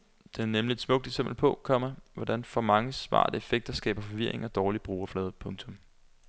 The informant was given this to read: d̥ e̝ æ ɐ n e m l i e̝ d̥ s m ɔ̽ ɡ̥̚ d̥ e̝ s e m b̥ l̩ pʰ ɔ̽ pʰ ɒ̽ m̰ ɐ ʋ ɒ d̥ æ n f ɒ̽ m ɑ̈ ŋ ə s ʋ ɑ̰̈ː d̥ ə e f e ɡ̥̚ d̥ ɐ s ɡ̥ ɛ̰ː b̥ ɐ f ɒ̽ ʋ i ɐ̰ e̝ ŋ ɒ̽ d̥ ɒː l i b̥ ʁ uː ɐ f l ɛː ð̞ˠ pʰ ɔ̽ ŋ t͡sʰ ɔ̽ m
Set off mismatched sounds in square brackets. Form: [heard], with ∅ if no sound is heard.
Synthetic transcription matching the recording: d̥ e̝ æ ɐ n e m l i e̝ d̥ s m ɔ̽ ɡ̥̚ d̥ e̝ s e m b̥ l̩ pʰ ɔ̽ [kʰ] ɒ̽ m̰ ɐ ʋ ɒ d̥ æ n f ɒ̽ m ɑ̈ ŋ ə s ʋ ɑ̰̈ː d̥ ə e f e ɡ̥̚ d̥ ɐ s ɡ̥ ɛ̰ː b̥ ɐ f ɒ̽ ʋ i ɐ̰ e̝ ŋ ɒ̽ d̥ ɒː l i b̥ ʁ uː ɐ f l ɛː ð̞ˠ pʰ ɔ̽ ŋ t͡sʰ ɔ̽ m